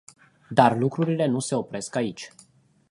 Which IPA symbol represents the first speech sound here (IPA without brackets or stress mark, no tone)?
d̪